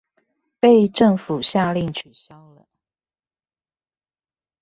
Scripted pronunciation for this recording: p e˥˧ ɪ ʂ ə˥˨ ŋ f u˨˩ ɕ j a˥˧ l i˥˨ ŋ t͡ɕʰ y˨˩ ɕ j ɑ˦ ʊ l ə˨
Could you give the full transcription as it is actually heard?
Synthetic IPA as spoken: p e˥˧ ɪ ʈ͡ʂ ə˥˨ ŋ f u˨˩ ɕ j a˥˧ l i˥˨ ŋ t͡ɕʰ y˨˩ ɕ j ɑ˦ ʊ l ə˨